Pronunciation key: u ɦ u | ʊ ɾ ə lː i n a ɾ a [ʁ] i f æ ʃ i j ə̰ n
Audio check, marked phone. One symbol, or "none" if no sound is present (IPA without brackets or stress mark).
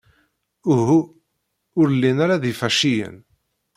ð